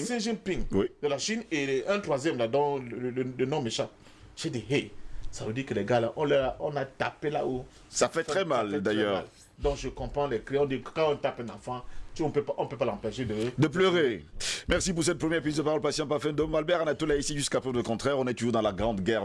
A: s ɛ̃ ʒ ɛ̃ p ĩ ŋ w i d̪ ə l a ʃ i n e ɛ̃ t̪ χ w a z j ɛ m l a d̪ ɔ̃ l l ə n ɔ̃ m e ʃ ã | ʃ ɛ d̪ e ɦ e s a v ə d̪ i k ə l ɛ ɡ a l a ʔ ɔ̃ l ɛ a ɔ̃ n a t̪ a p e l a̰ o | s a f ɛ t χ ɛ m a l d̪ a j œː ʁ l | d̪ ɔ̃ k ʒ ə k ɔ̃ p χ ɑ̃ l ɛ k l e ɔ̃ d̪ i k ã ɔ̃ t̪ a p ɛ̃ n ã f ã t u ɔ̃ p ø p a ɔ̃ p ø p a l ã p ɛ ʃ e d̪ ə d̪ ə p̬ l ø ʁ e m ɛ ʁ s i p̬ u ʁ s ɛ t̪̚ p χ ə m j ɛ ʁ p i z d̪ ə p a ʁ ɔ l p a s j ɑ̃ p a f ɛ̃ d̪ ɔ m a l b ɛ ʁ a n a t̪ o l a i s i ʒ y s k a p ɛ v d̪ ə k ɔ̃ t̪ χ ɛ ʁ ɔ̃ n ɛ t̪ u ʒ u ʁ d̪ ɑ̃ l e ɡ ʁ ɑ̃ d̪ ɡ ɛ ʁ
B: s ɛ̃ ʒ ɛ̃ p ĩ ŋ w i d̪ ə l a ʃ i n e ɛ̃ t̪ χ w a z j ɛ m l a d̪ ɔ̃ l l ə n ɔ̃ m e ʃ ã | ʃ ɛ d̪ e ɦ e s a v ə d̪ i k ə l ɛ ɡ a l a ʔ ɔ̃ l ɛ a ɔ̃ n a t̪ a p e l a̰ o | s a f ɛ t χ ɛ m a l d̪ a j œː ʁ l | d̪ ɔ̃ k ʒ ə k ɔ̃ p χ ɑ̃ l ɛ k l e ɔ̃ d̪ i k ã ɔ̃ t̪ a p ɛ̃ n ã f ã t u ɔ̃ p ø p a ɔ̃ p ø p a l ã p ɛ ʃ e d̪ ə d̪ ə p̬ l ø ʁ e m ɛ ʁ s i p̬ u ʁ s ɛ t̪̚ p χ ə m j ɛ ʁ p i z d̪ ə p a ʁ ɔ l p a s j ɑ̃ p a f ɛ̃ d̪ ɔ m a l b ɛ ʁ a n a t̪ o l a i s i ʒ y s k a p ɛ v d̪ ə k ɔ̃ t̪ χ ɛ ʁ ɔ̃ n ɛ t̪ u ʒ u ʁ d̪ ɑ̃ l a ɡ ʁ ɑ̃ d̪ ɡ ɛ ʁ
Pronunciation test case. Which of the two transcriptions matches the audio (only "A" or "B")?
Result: B